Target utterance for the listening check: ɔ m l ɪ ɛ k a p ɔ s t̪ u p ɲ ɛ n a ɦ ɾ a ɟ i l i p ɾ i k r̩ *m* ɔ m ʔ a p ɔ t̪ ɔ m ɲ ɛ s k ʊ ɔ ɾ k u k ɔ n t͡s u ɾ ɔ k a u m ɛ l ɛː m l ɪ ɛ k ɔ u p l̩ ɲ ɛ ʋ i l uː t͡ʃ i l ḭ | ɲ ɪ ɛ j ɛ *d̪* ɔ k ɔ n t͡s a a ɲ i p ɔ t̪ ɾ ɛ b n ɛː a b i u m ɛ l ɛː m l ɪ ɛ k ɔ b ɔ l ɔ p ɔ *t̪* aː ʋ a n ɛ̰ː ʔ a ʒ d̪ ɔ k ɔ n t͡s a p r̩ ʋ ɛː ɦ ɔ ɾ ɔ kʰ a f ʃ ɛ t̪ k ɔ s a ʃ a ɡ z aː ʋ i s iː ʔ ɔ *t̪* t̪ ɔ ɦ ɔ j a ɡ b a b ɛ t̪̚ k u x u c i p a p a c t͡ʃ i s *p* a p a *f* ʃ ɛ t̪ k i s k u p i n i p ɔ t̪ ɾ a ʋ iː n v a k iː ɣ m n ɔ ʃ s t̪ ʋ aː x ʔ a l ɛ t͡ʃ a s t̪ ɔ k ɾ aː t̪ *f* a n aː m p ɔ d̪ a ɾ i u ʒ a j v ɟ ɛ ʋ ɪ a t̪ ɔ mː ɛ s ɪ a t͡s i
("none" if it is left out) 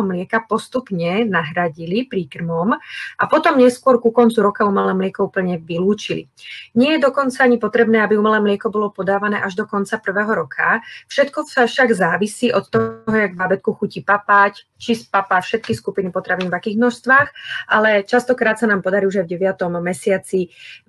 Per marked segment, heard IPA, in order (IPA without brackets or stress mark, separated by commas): m, d̪, d̪, t̪, p, f, s